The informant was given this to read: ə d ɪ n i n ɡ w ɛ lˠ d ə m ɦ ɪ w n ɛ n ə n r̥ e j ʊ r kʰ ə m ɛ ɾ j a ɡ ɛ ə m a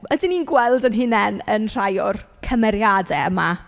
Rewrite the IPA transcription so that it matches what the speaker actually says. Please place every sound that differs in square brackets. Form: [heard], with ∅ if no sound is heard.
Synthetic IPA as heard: ə d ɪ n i n ɡ w ɛ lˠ d ə [n] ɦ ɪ [∅] n ɛ n ə n r̥ [a] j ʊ r kʰ ə m ɛ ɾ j a [d] ɛ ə m a